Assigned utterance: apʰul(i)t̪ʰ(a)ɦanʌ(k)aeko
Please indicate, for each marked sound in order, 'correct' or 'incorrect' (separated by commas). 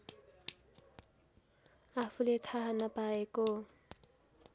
incorrect, correct, incorrect